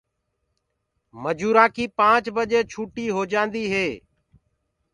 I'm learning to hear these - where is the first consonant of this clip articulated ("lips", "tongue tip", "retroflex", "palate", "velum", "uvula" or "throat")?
lips